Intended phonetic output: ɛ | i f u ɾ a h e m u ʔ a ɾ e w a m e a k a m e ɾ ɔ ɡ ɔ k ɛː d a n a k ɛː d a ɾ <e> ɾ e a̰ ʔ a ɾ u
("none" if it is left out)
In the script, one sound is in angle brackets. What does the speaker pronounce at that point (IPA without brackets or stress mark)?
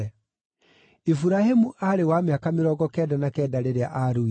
e